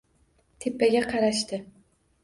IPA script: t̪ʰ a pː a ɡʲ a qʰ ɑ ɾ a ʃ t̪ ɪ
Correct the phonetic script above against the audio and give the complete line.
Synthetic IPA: t̪ʰ e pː a ɡʲ a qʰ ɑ ɾ a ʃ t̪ ɪ